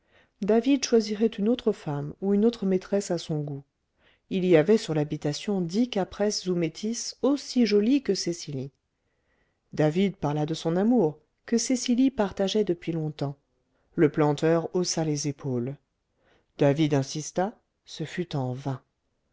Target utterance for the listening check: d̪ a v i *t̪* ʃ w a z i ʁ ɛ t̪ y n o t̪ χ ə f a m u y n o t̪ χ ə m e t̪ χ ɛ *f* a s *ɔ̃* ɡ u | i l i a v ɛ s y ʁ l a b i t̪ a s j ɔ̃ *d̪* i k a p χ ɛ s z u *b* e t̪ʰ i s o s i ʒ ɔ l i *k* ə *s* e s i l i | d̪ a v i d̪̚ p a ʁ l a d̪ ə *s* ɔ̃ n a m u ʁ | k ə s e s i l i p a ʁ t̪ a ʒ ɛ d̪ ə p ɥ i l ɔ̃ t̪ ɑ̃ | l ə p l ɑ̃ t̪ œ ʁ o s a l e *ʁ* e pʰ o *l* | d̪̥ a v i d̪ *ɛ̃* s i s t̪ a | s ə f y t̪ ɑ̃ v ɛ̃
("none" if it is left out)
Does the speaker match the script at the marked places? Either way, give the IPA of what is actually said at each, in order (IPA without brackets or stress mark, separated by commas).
d̪, s, ɔ̃, d̪, m, k, s, s, z, l, ɛ̃